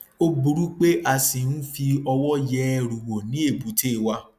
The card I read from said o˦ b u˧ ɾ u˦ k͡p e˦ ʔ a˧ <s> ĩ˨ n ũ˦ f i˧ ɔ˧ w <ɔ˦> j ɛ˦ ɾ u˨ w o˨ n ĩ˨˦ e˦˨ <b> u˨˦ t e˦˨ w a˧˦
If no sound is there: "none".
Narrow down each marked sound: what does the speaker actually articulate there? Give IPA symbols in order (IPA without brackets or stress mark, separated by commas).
s, ɔ˦, b